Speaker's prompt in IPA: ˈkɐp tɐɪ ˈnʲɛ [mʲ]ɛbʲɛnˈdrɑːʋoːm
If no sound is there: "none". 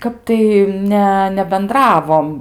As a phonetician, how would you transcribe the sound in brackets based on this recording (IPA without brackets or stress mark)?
nʲ